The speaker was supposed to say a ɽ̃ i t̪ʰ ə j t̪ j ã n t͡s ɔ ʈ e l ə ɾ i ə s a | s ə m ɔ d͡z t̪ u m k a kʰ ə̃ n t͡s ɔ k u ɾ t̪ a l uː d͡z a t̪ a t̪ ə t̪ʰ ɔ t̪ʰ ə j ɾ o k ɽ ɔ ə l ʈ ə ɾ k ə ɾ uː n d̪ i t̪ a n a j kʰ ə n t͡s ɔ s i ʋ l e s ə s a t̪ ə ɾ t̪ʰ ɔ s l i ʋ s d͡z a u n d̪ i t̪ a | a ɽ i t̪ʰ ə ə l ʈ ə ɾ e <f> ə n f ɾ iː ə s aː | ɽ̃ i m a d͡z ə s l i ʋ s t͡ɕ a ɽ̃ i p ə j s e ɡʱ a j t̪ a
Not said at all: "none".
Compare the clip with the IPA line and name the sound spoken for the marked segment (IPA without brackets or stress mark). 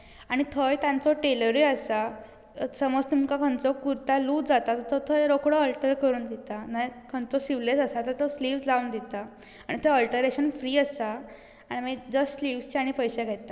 ɕ